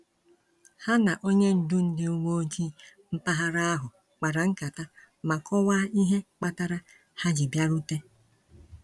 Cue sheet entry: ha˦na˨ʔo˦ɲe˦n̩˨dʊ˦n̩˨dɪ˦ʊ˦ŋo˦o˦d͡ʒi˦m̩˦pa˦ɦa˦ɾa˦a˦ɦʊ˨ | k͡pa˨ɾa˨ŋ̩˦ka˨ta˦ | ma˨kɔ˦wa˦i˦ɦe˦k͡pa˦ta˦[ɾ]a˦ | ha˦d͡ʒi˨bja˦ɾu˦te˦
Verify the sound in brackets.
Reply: correct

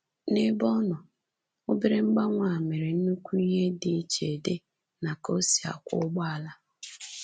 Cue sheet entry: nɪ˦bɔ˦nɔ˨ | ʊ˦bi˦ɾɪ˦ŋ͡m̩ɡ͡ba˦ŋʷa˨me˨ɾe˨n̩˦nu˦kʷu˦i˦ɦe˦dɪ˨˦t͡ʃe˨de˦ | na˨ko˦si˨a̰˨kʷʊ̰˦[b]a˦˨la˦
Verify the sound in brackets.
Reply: incorrect: ɡ͡b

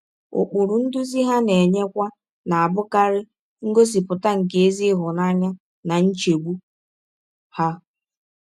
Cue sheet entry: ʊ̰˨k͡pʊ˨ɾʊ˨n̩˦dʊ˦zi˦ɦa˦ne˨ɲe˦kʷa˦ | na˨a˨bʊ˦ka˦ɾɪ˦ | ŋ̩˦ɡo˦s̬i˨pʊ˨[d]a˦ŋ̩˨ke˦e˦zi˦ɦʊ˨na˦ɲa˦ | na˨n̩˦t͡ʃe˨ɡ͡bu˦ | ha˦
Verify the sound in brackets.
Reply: incorrect: t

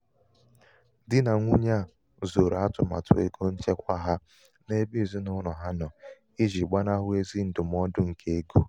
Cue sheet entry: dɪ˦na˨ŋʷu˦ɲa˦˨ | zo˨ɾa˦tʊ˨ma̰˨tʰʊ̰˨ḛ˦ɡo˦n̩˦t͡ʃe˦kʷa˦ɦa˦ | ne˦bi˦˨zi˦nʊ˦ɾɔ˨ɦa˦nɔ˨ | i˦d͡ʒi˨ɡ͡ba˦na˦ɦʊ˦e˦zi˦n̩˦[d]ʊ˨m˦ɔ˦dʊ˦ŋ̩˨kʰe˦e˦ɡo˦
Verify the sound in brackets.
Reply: correct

